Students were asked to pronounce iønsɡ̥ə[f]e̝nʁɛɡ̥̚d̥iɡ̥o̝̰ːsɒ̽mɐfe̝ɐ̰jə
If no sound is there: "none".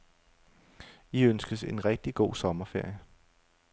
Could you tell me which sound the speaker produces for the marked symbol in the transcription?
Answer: s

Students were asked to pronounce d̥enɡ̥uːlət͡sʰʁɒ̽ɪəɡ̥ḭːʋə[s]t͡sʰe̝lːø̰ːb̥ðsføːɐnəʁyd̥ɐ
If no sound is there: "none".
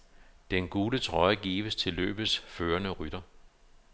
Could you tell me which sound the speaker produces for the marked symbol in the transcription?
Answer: s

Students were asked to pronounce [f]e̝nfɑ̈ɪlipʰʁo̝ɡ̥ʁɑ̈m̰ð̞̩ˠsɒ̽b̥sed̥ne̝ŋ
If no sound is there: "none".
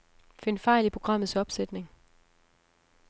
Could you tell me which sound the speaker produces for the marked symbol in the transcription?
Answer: f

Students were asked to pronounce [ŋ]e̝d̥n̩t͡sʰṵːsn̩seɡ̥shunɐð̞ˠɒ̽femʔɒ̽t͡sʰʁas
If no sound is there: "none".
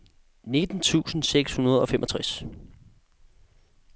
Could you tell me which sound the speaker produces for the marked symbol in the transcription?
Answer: n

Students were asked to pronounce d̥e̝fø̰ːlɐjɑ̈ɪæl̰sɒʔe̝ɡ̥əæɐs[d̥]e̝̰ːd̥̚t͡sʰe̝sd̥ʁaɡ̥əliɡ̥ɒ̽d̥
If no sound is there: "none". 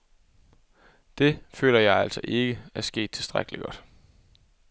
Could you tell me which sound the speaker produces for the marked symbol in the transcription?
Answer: ɡ̥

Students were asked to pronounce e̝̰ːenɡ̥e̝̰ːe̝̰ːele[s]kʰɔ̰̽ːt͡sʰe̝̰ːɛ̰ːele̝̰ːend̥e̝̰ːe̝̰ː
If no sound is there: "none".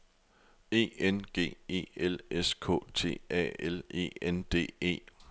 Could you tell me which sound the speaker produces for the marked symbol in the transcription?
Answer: s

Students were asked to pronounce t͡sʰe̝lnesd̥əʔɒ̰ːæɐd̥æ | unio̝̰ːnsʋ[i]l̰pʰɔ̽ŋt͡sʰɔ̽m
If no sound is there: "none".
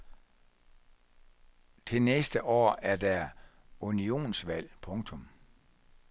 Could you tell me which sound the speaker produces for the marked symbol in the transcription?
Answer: æ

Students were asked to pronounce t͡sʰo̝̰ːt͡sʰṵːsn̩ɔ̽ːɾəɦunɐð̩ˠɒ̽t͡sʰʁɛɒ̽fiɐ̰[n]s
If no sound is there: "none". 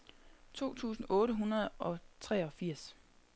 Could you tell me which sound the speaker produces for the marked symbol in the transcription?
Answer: none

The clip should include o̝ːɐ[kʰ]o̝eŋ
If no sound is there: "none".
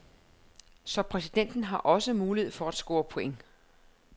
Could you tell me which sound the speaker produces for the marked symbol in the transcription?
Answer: pʰ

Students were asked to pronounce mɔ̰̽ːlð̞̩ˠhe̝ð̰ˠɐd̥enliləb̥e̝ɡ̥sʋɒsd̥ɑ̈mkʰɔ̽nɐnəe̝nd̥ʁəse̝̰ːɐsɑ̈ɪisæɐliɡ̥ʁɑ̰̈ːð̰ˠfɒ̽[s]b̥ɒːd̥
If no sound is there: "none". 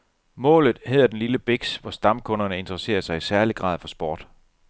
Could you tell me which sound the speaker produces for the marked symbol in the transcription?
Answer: s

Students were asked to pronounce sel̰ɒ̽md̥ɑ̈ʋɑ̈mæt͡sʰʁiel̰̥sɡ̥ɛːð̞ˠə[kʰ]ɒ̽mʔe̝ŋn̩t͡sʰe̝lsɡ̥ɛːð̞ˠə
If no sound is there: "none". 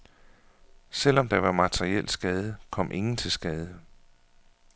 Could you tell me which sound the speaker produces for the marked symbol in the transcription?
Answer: kʰ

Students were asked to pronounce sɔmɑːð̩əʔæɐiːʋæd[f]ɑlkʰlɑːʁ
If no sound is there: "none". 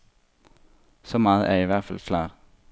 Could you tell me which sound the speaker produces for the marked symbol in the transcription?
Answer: f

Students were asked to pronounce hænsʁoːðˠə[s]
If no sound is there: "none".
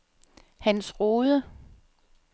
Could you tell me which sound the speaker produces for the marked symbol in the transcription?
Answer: none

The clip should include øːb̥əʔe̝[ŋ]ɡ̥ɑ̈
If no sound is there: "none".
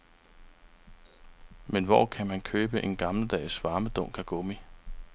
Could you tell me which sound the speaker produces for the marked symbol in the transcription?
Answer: n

